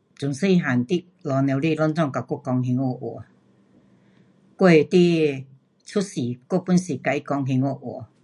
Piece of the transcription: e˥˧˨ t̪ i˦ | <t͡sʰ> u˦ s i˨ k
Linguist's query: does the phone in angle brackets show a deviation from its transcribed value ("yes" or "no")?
no